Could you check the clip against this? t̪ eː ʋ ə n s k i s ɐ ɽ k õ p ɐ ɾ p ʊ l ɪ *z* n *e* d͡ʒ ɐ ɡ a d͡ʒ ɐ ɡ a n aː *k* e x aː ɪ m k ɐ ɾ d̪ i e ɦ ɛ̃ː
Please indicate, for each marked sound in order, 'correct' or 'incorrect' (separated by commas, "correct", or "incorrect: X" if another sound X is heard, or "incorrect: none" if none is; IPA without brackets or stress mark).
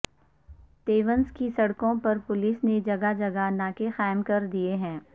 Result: incorrect: s, correct, correct